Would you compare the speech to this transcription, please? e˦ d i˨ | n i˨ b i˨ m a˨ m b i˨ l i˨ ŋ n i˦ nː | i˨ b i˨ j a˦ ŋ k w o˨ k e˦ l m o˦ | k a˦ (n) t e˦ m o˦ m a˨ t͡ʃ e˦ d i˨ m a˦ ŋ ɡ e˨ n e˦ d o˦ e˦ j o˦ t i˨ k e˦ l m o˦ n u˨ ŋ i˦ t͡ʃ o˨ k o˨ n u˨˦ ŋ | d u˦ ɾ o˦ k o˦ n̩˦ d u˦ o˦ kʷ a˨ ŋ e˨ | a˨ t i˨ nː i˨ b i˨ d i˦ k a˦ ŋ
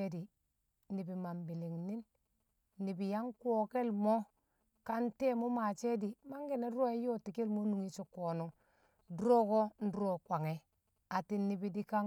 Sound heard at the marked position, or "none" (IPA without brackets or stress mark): n